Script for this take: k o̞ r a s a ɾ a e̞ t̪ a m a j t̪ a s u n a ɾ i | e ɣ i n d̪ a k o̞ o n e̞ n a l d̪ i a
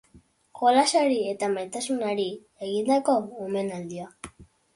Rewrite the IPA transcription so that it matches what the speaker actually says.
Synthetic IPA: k o̞ l a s a ɾ i e̞ t̪ a m a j t̪ a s u n a ɾ i | e ɣ i n d̪ a k o̞ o m e̞ n a l d̪ i a